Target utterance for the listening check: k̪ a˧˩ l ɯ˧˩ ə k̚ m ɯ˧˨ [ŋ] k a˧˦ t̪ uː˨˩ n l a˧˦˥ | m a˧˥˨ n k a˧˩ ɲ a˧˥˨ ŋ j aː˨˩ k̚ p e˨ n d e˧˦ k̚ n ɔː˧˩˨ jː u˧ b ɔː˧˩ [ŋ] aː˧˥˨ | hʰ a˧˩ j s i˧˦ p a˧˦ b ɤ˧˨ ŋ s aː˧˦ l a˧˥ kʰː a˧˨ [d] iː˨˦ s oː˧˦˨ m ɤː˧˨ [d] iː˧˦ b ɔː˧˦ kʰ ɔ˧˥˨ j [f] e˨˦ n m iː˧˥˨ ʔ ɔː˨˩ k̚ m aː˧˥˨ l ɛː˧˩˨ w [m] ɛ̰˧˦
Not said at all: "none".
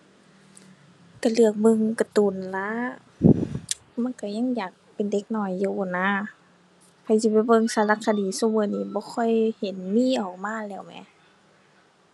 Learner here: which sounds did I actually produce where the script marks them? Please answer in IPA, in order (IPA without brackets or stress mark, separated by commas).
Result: ŋ, n, d, n, h, m